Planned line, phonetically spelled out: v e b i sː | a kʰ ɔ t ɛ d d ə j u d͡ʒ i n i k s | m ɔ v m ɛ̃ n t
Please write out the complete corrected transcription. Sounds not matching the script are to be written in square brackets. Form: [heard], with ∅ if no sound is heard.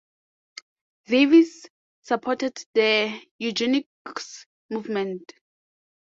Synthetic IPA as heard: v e [v] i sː | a [pʰ] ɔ t ɛ d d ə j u d͡ʒ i n i k s | m [u] v m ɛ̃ n t